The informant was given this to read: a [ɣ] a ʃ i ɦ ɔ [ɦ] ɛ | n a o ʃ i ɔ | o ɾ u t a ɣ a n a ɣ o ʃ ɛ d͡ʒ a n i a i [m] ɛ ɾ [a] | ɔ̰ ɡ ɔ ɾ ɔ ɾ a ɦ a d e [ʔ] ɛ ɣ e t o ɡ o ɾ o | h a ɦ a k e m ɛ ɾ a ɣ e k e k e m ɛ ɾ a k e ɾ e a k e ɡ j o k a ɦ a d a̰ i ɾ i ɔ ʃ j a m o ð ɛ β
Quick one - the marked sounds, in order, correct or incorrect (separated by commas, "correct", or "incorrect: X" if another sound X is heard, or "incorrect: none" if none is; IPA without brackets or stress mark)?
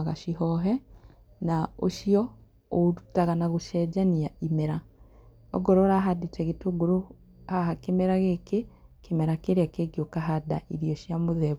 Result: correct, correct, correct, correct, incorrect: t